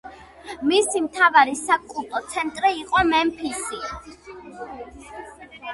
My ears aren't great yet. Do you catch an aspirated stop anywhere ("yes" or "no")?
yes